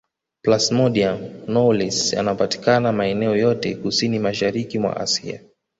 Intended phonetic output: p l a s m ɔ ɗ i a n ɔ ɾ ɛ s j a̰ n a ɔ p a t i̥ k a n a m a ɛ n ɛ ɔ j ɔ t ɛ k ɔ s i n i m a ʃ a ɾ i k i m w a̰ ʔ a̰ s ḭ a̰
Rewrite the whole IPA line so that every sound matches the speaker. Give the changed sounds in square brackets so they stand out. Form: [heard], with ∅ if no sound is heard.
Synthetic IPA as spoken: p l a s m ɔ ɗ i a n ɔ [l] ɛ s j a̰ n a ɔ p a t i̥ k a n a m a ɛ n ɛ ɔ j ɔ t ɛ k [u] s i n i m a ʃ a ɾ i k i m w a̰ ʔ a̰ s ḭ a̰

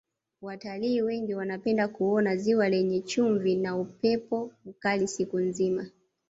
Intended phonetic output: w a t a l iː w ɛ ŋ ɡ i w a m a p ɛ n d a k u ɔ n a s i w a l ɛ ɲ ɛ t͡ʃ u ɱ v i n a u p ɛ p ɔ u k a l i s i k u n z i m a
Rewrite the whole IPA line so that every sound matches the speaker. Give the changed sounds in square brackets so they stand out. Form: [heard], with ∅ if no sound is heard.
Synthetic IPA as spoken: w a t a l iː w ɛ ŋ ɡ i w a [n] a p ɛ n d a k u ɔ n a [z] i w a l ɛ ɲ ɛ t͡ʃ u ɱ v i n a u p ɛ p ɔ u k a l i s i k u n z i m a

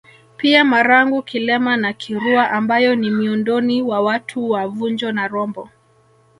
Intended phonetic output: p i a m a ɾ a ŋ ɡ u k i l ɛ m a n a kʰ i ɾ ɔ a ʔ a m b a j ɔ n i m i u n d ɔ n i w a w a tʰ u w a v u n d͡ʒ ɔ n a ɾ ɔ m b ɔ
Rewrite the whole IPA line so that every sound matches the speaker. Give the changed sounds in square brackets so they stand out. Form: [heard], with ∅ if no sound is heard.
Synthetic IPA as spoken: p i a m a ɾ a ŋ ɡ u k i l ɛ m a n a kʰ i ɾ [u] a ʔ a m b a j ɔ n i m i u n d ɔ n i w a w a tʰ u w a v u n d͡ʒ ɔ n a ɾ ɔ m b ɔ

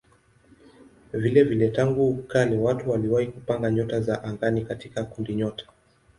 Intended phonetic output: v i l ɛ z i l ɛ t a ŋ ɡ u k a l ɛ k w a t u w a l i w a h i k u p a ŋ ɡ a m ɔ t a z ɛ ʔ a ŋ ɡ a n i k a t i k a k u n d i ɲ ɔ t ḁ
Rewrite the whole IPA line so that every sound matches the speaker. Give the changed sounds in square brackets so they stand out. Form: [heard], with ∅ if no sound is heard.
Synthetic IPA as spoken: v i l ɛ [v] i l ɛ t a ŋ ɡ u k a l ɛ [∅] w a t u w a l i w a h i k u p a ŋ ɡ a [ɲ] ɔ t a z [a] ʔ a ŋ ɡ a n i k a t i k a k u n d i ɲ ɔ t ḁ

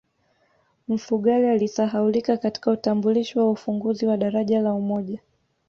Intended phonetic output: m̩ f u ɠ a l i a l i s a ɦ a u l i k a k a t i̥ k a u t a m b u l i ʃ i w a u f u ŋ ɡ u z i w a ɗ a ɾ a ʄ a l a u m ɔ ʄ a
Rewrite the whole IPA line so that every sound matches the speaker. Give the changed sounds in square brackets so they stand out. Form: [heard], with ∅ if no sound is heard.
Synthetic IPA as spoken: m̩ f u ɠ a l i a l i s a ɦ a u l i k a k a t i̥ k a u t a m b u l i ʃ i w a u f u ŋ ɡ u z i w a ɗ a ɾ a ʄ a l a u m ɔ ʄ a

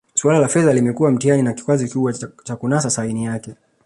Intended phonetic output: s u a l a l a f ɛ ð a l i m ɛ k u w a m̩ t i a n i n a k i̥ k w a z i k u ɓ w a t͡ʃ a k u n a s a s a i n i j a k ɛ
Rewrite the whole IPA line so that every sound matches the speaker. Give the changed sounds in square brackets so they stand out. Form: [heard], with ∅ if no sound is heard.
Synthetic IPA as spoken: s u a l a l a f ɛ ð a l i m ɛ k u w a m̩ t i a n i n a k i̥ k w a z i k u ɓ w a t͡ʃ a k u n a s a s a i n i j a k ɛ

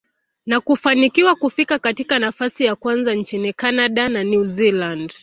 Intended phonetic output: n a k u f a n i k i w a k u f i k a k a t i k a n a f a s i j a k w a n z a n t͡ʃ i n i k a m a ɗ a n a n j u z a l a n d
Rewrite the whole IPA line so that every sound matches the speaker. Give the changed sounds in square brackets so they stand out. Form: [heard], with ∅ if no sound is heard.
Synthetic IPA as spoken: n a k u f a n i k i w a k u f i k a k a t i k a n a f a s i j a k w a n z a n t͡ʃ i n i k a [n] a ɗ a n a n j u z [i] l a n d

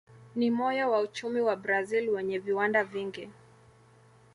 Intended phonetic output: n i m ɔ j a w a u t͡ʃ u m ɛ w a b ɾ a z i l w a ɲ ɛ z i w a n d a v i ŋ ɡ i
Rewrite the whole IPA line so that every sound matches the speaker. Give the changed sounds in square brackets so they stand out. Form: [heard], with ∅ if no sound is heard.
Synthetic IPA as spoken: n i m ɔ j a w a u t͡ʃ u m [i] w a b ɾ a z i l w [ɛ] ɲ ɛ [v] i w a n d a v i ŋ ɡ i

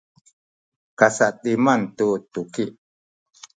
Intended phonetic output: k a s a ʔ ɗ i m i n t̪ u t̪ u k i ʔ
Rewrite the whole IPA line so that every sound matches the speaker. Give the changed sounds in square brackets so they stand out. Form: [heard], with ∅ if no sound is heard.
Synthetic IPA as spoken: k a s a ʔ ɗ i m [a] n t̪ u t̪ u k i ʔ

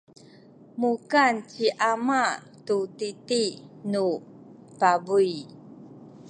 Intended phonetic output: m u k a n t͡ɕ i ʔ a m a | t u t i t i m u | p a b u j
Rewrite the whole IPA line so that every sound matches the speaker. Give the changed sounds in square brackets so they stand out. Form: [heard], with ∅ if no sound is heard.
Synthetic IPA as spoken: m u k a n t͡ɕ i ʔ a m a | t u t i t i [n] u | p a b u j

